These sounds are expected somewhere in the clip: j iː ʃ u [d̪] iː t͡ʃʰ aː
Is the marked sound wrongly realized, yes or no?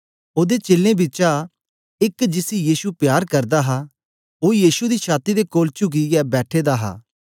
no